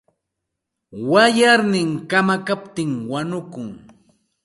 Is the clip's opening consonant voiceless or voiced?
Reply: voiced